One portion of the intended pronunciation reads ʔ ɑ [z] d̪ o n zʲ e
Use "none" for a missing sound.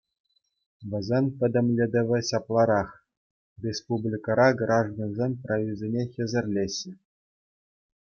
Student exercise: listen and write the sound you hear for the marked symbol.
ʐ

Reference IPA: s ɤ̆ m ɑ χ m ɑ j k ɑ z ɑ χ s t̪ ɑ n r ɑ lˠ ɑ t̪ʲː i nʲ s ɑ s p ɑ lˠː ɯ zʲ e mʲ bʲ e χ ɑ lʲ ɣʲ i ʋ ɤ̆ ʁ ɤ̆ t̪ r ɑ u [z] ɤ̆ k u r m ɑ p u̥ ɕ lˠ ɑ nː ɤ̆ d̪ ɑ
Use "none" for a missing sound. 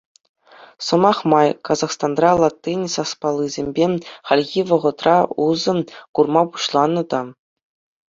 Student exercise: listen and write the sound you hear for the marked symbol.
z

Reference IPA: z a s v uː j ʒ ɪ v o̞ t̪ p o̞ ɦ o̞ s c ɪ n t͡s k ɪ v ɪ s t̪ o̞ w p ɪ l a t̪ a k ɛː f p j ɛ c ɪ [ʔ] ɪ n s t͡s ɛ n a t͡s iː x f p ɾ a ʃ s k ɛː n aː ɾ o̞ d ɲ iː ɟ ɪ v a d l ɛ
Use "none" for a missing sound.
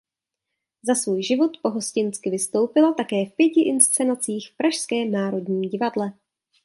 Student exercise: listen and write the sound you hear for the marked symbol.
ʔ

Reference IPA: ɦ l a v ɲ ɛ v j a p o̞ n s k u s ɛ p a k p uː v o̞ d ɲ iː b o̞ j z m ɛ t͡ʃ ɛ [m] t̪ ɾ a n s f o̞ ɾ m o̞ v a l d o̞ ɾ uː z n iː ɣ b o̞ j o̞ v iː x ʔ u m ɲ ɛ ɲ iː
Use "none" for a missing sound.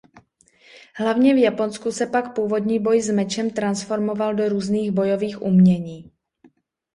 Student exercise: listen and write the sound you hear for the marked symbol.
m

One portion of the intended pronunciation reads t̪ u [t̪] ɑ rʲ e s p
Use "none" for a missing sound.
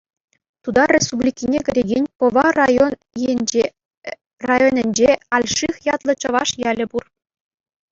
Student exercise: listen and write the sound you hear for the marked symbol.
d̪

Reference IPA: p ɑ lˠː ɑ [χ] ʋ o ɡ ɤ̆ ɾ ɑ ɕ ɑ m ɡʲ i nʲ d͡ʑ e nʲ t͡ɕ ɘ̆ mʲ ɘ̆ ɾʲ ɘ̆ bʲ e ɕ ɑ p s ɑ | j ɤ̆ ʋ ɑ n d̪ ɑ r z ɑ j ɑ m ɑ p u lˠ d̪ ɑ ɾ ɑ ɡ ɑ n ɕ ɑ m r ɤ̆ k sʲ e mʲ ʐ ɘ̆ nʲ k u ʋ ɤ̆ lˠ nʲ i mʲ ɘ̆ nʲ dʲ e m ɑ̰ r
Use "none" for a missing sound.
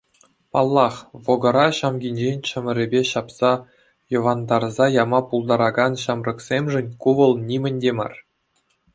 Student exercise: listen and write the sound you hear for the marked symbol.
χ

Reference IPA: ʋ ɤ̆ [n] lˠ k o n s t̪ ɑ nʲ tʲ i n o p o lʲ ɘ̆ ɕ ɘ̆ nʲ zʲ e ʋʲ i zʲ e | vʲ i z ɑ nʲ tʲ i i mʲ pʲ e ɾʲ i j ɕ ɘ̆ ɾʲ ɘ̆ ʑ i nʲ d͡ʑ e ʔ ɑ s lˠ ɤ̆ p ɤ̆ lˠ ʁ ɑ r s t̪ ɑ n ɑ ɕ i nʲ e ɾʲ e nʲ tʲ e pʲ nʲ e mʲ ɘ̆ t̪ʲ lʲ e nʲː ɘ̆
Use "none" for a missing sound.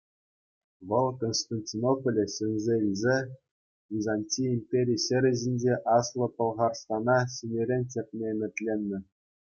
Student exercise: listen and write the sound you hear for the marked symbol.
none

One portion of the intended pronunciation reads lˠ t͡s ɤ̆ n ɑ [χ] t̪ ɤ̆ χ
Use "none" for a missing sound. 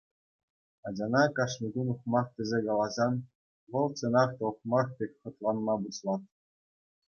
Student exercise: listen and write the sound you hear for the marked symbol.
χ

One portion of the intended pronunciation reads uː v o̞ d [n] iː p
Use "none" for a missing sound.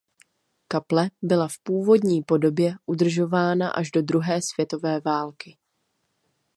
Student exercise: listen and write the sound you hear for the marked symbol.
ɲ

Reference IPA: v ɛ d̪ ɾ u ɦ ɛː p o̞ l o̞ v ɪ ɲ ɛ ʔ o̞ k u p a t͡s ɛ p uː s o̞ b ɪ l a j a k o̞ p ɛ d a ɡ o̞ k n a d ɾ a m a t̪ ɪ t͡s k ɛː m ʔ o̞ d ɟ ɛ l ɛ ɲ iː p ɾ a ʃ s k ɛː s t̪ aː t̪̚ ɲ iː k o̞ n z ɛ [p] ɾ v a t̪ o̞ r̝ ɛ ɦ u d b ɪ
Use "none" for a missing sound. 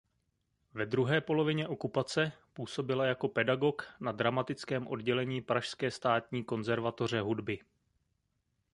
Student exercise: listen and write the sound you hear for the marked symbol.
none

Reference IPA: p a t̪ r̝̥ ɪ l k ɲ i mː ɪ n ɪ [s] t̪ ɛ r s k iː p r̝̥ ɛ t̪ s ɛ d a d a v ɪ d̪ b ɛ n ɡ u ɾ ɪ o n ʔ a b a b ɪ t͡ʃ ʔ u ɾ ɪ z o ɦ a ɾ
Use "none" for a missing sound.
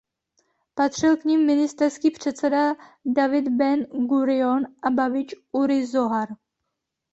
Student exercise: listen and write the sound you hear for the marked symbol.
s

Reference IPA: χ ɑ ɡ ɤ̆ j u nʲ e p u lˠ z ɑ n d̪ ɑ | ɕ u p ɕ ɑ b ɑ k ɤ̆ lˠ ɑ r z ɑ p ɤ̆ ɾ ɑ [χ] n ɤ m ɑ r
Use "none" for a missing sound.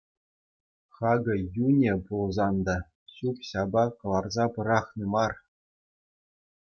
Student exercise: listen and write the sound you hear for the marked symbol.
χ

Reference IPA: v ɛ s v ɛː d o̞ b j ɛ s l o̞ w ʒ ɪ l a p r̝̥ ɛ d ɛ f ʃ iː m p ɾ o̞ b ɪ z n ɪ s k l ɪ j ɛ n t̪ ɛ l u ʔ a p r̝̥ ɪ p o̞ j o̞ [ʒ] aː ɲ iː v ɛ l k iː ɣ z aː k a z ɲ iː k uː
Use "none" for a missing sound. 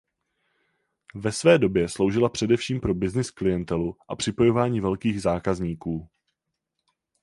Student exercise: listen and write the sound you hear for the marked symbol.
v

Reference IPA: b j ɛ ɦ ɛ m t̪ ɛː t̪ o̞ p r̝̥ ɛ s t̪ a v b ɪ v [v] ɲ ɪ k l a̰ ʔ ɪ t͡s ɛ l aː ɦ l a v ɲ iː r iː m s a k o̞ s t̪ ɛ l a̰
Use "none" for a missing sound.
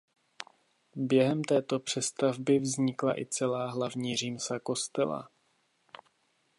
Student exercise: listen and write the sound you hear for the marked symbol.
z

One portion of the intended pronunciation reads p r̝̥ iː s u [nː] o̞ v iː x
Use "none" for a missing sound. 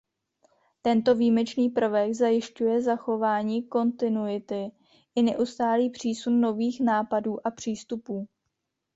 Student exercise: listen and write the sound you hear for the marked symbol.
nː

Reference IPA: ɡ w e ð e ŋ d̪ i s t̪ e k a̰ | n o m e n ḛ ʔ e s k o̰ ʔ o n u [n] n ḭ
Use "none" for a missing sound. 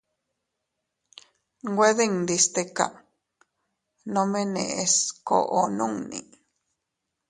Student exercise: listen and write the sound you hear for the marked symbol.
ŋ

